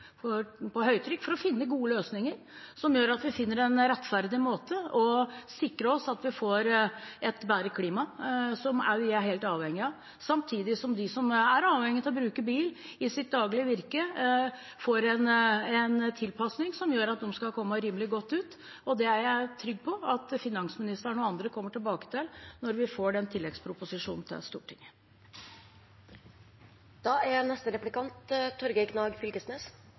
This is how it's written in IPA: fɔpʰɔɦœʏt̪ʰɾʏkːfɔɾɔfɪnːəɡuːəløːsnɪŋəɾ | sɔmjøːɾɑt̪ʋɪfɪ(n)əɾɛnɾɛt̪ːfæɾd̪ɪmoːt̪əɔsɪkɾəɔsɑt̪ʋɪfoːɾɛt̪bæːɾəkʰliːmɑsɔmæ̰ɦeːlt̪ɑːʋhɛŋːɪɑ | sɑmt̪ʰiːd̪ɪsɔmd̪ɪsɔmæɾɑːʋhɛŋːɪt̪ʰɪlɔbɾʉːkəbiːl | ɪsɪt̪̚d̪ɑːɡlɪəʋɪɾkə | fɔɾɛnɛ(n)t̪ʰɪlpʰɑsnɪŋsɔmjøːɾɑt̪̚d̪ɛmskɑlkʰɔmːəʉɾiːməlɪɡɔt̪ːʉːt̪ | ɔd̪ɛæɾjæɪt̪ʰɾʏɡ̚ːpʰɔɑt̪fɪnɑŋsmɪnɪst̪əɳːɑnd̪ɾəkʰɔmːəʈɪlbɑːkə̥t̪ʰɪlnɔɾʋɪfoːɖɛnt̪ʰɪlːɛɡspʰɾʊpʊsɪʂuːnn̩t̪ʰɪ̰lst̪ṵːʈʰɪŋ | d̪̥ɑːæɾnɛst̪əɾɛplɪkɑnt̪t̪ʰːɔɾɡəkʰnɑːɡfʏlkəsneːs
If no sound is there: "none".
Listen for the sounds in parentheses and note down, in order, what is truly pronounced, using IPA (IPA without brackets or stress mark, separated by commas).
nː, n